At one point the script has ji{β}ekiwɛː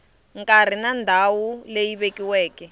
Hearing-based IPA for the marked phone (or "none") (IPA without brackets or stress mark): β